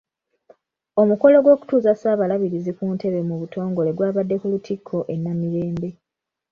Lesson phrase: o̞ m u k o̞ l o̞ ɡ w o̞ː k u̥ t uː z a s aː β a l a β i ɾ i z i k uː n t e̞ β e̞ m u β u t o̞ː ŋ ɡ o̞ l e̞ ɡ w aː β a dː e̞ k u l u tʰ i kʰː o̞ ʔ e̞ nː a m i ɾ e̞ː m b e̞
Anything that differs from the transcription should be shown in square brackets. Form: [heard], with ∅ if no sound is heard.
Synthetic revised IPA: o̞ m u k o̞ l o̞ ɡ w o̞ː k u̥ t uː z a s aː β a l a β i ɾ i z i k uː n t e̞ β e̞ m u β u t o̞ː ŋ ɡ o̞ l e̞ ɡ w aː β a dː e̞ k u l u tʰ i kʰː o̞ ʔ e̞ nː a m i ɾ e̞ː m b e̞